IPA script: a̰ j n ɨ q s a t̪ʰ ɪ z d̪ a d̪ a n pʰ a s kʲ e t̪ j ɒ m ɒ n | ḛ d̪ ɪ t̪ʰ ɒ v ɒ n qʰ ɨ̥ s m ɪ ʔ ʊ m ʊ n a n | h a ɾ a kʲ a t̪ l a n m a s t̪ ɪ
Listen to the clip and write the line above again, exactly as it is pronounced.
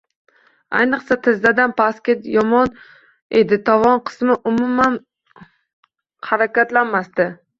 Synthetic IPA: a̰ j n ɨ q s a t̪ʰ ɪ z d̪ a d̪ a n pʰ a s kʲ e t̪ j ɒ m ɒ n | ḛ d̪ ɪ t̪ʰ ɒ v ɒ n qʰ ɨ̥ s m ɪ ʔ ʊ m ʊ m a n | h a ɾ a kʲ a t̪ l a n m a s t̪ ɪ